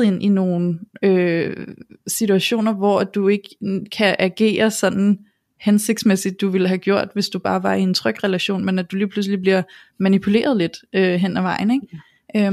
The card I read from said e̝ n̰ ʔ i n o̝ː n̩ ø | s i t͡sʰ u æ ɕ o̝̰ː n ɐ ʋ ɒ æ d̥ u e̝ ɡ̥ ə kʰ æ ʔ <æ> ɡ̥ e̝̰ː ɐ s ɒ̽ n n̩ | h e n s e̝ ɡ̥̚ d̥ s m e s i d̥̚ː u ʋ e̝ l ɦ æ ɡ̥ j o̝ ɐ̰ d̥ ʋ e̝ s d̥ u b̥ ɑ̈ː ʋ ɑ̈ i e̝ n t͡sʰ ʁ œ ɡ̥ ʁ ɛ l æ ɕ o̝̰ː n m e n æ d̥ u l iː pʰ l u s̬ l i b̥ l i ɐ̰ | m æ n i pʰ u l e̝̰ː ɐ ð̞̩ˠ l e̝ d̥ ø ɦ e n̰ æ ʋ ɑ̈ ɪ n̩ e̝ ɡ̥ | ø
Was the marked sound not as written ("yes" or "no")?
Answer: no